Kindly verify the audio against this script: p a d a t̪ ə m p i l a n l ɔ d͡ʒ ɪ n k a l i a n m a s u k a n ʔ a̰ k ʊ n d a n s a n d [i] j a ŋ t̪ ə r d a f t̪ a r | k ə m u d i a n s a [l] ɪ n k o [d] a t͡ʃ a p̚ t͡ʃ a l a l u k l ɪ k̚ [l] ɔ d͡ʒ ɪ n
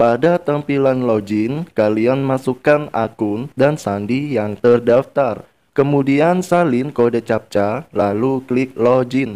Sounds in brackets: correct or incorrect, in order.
correct, correct, correct, correct

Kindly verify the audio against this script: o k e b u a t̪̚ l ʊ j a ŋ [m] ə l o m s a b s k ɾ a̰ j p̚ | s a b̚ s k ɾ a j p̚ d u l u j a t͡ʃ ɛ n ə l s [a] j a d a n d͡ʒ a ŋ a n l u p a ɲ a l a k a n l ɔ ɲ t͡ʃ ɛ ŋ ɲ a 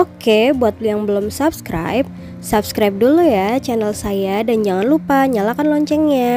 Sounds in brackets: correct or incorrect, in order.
incorrect: b, correct

